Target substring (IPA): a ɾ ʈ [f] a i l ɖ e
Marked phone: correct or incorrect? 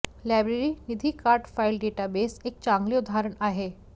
correct